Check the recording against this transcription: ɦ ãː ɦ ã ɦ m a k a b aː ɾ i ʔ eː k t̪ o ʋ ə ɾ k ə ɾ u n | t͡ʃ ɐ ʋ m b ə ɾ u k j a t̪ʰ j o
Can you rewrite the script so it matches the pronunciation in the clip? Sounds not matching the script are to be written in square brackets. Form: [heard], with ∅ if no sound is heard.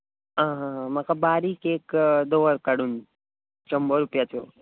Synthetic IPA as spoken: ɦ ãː ɦ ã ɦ m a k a b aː ɾ i [k] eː k [d̪] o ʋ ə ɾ k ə [ɽ] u n | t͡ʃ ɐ [∅] m b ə ɾ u [p] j a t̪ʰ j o